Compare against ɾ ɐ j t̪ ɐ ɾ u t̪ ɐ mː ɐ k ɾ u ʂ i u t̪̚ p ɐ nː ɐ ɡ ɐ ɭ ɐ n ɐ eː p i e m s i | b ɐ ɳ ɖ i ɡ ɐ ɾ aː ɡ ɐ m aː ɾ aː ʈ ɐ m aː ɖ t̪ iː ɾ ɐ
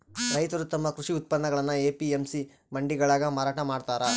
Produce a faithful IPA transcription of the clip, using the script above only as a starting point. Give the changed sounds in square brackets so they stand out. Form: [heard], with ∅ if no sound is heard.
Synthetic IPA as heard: ɾ ɐ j t̪ ɐ ɾ u t̪ ɐ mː ɐ k ɾ u ʂ i u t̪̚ p ɐ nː ɐ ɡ ɐ ɭ ɐ [nː] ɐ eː p i e m s i | [m] ɐ ɳ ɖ i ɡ ɐ [ɭ] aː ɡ ɐ m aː ɾ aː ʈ ɐ m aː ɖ t̪ [aː] ɾ ɐ